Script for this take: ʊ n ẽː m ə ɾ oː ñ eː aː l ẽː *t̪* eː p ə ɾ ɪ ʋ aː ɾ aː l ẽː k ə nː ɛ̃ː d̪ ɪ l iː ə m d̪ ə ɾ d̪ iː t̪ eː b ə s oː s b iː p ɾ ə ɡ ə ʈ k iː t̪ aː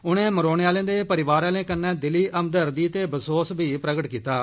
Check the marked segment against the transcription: incorrect: d̪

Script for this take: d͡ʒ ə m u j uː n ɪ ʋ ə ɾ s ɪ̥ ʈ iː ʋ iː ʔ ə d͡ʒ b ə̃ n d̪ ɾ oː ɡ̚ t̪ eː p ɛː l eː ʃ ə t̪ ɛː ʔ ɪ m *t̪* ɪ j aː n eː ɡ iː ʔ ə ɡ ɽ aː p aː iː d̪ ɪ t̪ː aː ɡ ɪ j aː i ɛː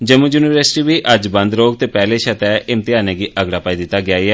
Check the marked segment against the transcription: correct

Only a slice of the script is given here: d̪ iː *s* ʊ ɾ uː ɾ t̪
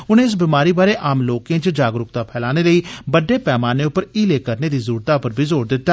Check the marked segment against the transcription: incorrect: z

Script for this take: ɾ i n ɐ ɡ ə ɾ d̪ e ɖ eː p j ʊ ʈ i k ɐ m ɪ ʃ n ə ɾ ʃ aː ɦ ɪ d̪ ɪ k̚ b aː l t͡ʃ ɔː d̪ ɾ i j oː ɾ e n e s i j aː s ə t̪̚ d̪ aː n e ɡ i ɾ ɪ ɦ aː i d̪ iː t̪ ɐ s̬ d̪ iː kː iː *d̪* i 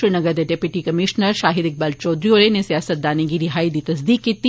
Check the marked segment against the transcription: incorrect: t̪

